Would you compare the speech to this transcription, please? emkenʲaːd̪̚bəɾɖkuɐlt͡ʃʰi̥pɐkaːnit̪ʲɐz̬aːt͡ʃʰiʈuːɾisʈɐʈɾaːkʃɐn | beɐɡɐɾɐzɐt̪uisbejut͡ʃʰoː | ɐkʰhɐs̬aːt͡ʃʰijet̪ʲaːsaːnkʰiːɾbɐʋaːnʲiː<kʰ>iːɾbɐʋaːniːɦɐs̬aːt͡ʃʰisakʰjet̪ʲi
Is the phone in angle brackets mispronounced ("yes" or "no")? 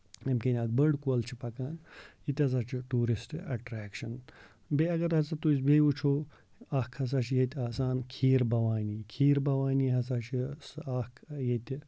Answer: no